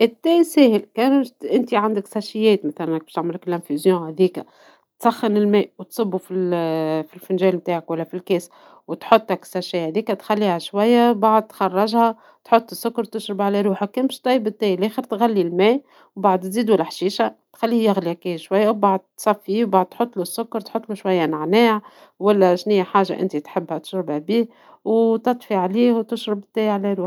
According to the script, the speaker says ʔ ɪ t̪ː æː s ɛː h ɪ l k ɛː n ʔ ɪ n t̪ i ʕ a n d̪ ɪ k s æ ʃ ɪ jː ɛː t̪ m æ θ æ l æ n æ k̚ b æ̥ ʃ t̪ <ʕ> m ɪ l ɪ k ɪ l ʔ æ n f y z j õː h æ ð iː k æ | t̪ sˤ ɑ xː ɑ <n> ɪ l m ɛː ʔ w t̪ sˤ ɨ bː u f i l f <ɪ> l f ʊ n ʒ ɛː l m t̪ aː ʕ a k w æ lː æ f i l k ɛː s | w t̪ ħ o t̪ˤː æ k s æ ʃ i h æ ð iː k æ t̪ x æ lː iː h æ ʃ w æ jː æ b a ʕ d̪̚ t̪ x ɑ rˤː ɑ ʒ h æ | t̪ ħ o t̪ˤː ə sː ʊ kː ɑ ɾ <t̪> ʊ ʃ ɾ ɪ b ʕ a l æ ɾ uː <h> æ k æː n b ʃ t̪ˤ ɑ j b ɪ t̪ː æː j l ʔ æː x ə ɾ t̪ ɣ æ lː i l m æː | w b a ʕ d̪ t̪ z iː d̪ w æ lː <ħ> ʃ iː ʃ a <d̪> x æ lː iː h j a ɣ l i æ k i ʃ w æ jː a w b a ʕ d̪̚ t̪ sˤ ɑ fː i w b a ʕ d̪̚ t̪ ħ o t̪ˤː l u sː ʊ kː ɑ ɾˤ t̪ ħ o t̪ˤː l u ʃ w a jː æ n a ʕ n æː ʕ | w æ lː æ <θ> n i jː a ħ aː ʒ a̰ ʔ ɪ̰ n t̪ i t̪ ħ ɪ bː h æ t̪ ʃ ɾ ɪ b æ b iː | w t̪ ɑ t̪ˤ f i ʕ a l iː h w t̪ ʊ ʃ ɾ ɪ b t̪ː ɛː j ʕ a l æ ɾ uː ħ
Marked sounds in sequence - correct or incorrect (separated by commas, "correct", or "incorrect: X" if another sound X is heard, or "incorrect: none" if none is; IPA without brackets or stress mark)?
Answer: correct, correct, incorrect: i, correct, incorrect: ħ, correct, incorrect: t̪, incorrect: ʃ